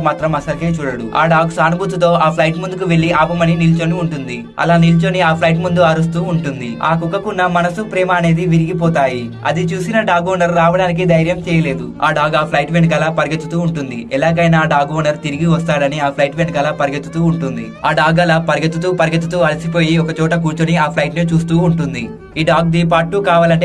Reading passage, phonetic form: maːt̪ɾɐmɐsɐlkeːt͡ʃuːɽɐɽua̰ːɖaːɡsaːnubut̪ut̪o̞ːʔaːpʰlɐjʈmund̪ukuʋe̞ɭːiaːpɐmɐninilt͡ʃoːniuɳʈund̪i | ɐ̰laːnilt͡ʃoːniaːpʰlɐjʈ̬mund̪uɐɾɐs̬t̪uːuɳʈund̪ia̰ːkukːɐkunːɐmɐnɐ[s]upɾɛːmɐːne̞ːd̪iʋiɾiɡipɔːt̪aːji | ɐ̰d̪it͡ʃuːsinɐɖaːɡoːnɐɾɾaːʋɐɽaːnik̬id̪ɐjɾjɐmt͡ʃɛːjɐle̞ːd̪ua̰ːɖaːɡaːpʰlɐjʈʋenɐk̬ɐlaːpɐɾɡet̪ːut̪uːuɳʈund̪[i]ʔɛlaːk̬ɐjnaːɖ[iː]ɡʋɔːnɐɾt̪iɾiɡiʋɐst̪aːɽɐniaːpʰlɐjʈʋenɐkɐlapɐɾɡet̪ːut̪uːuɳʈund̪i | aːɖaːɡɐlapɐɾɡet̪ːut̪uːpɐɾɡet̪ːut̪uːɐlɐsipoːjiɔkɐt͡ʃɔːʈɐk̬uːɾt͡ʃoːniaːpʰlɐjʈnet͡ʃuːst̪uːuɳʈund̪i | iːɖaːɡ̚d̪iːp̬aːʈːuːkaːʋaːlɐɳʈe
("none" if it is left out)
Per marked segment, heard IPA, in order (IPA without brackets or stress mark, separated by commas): s, i, aː